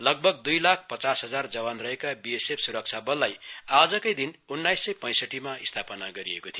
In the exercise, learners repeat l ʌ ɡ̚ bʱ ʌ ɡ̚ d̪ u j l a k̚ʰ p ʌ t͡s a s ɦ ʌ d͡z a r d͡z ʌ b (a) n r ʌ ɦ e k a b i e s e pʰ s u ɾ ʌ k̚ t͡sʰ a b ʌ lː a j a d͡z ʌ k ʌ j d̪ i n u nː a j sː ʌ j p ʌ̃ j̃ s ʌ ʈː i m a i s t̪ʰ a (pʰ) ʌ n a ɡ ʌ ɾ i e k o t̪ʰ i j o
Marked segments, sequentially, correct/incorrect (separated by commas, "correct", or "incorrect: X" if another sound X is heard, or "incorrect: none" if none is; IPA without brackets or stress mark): correct, incorrect: p